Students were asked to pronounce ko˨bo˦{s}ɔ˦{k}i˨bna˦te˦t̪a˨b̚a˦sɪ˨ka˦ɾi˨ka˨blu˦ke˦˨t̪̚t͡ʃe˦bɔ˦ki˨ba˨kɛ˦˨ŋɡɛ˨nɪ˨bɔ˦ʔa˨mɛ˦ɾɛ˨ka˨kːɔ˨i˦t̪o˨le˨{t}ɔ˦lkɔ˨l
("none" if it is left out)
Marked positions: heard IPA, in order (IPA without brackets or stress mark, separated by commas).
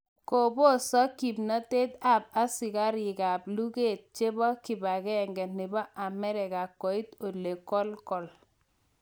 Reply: s, k, k